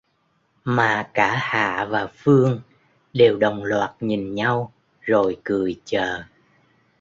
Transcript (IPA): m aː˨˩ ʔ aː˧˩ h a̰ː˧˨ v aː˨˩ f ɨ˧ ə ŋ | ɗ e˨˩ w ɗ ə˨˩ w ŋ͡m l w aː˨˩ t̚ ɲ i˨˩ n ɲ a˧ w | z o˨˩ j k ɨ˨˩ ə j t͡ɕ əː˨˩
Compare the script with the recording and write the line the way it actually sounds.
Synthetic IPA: m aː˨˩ k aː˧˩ h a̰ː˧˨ v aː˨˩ f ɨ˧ ə ŋ | ɗ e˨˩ w ɗ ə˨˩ w ŋ͡m l w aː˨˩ t̚ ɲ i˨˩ n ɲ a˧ w | z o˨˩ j k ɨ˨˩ ə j t͡ɕ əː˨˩